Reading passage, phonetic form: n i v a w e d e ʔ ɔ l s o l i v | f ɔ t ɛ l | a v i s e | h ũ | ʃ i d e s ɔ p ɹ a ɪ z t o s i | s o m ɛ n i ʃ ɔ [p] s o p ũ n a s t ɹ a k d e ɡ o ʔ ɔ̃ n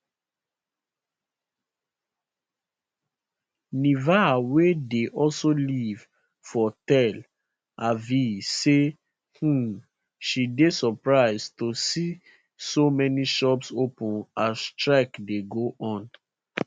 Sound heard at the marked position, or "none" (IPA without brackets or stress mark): p